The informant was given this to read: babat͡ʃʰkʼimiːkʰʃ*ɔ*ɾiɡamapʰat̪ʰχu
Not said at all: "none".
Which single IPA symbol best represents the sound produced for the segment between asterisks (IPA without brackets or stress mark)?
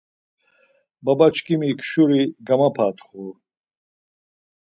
u